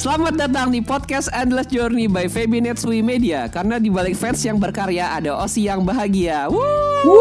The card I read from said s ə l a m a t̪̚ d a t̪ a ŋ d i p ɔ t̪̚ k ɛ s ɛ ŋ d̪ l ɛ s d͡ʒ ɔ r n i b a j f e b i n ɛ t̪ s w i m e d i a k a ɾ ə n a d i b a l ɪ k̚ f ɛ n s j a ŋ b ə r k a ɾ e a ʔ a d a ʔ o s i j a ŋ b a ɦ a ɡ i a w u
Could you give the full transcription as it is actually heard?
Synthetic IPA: s ə l a m a t̪̚ d a t̪ a ŋ d i p ɔ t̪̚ k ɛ s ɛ n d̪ l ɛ s d͡ʒ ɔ r n i b a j f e b i n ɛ t̪ s w i m e d i a k a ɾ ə n a d i b a l ɪ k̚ f ɛ n s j a ŋ b ə r k a ɾ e a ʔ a d a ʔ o s i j a ŋ b a ɦ a ɡ i a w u